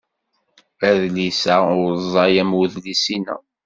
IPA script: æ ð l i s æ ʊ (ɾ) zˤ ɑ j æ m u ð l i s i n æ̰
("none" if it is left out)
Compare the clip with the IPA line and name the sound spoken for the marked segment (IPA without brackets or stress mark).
ɾ